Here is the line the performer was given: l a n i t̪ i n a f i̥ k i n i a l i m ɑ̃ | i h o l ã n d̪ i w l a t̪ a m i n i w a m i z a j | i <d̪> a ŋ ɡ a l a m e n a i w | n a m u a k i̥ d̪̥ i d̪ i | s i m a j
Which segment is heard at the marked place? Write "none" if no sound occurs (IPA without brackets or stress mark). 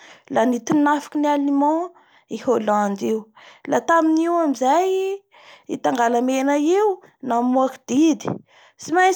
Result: t̪